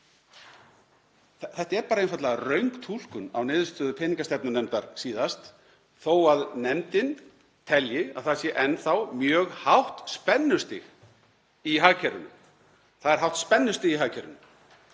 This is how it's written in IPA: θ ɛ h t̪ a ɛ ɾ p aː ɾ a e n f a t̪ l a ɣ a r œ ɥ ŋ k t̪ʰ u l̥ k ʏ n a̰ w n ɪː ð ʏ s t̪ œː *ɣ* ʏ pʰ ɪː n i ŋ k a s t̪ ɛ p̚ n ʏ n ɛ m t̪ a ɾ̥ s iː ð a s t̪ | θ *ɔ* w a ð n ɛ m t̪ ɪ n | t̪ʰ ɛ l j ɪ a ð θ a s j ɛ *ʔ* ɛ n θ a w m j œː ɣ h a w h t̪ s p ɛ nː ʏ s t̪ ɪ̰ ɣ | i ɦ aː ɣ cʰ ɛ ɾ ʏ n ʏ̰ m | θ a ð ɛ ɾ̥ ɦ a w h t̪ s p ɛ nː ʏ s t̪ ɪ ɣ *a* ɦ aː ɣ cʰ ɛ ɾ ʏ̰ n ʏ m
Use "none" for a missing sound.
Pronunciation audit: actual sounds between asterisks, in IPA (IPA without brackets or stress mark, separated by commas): ð, o, ʔ, i